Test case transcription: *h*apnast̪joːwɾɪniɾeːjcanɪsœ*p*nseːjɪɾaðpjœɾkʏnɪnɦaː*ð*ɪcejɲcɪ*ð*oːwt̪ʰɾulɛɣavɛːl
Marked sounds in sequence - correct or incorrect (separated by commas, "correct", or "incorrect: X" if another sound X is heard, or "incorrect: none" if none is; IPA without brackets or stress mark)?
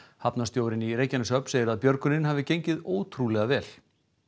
correct, correct, incorrect: v, correct